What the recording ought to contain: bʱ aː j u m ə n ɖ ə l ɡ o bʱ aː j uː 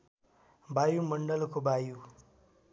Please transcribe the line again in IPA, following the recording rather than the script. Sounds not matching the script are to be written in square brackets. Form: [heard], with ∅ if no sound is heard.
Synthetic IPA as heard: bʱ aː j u m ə [ɳ] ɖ ə l [k] o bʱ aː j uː